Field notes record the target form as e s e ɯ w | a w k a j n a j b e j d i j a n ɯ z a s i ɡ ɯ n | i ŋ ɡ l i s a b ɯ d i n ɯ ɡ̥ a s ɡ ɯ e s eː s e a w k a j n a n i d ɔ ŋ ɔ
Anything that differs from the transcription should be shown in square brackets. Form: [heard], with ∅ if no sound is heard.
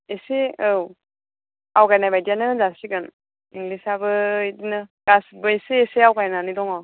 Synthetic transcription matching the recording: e s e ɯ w | a w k a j n a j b [a] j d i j a n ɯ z a s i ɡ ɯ n | i ŋ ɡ l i s a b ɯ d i n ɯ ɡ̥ a s [b] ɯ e s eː s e a w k a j n a n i d ɔ ŋ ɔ